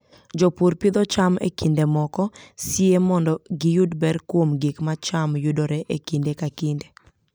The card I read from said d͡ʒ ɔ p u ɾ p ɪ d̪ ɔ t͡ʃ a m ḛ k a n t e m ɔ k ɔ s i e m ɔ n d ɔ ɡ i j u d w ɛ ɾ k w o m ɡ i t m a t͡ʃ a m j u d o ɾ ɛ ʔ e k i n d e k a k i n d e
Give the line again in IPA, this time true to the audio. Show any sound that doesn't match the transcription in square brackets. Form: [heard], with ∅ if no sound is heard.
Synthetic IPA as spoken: d͡ʒ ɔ p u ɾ p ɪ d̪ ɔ t͡ʃ a m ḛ k [i] n [d] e m ɔ k ɔ s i e m ɔ n d ɔ ɡ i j u d [b] ɛ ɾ k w o m ɡ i [k] m a t͡ʃ a m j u d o ɾ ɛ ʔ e k i n d e k a k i n d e